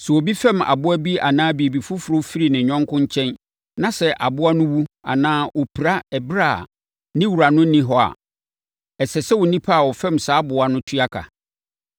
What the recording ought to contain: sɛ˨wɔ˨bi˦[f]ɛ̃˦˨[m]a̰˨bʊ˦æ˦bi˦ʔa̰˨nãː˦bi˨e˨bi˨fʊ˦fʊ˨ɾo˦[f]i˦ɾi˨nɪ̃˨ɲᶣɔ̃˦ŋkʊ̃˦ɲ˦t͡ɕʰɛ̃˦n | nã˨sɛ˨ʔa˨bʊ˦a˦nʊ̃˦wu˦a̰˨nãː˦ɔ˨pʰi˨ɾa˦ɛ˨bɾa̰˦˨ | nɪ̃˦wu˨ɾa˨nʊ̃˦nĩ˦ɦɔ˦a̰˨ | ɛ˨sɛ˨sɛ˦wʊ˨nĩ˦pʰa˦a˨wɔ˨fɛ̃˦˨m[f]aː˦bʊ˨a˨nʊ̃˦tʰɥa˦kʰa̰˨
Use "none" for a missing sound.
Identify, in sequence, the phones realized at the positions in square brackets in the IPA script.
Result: f, m, f, s

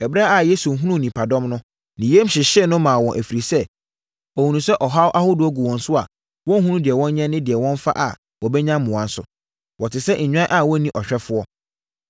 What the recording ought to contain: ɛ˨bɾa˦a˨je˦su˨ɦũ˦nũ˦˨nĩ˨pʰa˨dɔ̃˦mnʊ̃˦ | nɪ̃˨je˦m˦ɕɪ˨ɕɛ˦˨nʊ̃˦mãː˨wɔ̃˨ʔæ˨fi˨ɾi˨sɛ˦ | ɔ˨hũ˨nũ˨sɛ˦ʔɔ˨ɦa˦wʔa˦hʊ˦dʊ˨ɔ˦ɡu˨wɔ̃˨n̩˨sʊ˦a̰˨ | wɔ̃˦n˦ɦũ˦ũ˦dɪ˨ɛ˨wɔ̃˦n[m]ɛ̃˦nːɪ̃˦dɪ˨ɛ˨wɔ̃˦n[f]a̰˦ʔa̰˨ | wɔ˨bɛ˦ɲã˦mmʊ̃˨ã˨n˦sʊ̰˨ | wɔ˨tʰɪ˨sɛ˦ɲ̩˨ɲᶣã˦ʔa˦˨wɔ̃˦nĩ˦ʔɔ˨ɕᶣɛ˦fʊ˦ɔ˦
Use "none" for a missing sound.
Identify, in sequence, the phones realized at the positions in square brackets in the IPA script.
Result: ɲ, f

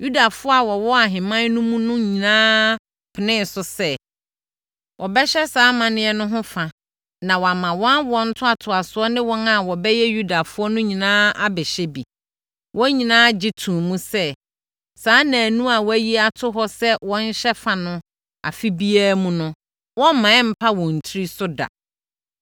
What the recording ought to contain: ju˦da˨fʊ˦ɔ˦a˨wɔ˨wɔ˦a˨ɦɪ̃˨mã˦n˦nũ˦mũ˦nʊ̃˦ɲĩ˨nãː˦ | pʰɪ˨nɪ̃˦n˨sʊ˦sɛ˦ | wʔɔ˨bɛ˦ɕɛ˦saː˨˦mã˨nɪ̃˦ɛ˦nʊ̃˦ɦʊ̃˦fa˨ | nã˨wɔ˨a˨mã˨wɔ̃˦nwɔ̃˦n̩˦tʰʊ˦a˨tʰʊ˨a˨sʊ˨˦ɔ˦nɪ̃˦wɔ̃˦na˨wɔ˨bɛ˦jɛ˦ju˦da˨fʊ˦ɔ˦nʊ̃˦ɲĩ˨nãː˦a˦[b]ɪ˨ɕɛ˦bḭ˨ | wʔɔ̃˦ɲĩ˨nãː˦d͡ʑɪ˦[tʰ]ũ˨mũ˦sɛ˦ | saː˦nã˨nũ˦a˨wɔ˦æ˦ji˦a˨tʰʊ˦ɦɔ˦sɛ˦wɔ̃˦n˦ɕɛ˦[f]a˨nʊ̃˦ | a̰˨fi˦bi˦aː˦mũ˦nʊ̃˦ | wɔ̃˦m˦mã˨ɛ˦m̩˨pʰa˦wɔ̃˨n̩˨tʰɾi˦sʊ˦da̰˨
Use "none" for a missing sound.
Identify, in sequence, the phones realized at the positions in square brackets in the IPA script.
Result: b, tʰ, f

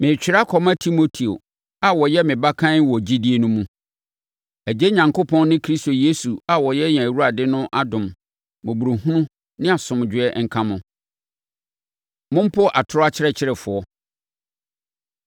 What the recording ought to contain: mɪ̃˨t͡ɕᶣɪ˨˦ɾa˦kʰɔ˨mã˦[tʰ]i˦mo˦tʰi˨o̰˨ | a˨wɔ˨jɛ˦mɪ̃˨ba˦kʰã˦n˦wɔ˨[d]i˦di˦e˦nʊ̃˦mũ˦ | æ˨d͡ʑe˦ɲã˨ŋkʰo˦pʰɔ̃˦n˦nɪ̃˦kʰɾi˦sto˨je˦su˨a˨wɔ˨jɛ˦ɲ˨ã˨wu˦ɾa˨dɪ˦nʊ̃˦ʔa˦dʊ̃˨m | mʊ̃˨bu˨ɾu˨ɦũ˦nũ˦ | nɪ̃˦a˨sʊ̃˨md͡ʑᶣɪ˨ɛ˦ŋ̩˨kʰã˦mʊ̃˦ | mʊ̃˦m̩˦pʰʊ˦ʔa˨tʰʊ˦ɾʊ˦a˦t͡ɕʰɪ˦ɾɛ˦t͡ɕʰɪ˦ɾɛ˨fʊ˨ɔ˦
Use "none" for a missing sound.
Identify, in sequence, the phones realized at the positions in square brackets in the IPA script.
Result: tʰ, d͡ʑ

